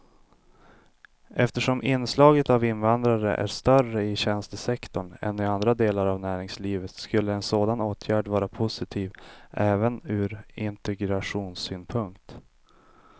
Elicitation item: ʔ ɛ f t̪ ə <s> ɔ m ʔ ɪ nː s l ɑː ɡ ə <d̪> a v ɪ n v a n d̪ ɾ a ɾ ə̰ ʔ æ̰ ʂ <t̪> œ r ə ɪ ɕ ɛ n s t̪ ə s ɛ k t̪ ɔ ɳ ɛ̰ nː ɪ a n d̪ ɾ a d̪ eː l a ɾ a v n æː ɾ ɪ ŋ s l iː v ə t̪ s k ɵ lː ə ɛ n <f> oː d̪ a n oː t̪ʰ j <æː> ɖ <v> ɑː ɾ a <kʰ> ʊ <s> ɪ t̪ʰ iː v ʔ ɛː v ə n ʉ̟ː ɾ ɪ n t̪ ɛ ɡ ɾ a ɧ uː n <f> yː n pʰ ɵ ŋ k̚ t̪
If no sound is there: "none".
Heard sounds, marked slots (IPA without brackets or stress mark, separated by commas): ʂ, t̪, t̪, s, æː, v, pʰ, s, s